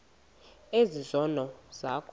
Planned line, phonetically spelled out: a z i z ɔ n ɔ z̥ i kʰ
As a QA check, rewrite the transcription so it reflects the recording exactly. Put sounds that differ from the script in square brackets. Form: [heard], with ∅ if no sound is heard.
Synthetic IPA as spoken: [e] z i z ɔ n ɔ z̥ [a] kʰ